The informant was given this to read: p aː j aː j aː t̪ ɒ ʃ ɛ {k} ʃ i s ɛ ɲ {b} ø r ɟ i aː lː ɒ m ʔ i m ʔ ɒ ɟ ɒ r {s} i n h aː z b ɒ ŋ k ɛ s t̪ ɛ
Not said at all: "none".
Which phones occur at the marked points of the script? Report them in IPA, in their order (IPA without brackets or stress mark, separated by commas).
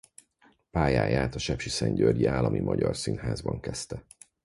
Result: p, ɟ, s